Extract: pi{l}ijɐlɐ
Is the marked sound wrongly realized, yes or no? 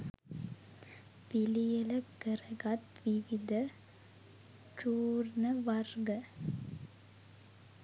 no